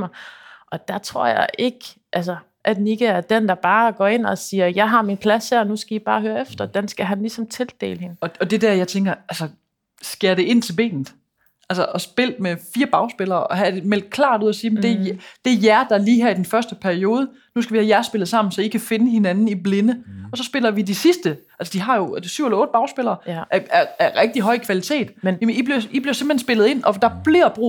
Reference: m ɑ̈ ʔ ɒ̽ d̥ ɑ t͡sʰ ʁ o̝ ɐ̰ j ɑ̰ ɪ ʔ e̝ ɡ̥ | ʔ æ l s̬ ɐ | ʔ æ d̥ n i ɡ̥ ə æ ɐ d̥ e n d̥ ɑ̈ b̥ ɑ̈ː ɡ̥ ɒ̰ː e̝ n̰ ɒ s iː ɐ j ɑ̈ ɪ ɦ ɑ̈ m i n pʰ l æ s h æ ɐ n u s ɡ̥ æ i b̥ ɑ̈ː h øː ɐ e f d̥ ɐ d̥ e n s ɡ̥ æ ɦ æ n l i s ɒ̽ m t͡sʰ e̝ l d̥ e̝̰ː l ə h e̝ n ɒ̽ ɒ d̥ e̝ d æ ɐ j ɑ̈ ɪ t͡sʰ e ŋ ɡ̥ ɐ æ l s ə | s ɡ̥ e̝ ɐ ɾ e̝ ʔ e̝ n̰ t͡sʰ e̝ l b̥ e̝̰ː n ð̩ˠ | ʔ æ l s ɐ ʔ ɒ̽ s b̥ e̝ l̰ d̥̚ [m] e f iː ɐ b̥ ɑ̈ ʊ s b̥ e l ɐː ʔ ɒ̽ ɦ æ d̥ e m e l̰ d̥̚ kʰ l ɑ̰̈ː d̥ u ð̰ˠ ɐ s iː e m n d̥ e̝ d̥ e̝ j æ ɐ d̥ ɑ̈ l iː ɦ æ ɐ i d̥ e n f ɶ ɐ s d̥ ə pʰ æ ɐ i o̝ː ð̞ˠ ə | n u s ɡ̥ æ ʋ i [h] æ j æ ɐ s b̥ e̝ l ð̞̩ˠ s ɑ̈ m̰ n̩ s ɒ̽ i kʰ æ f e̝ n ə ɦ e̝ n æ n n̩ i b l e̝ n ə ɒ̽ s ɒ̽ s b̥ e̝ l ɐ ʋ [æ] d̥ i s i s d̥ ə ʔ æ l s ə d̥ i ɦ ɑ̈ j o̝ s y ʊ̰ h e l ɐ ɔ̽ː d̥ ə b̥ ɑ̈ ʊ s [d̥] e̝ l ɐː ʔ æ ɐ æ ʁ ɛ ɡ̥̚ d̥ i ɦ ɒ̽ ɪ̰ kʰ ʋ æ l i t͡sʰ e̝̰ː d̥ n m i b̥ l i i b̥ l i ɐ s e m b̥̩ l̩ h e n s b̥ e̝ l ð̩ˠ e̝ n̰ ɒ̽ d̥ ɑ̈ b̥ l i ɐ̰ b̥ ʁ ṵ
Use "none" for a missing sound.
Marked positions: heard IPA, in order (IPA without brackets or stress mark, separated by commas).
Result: m, h, i, b̥